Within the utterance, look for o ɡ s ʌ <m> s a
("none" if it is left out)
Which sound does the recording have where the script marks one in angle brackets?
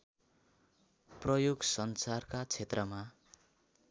n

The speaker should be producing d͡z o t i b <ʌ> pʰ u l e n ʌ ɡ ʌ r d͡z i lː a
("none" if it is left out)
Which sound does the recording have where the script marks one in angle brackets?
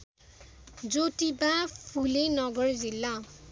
a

